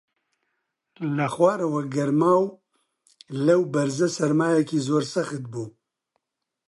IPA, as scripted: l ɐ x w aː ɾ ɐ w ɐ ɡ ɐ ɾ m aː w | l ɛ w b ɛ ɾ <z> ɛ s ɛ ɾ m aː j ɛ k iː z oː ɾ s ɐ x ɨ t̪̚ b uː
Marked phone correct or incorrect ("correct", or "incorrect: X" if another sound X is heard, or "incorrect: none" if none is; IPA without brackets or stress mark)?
correct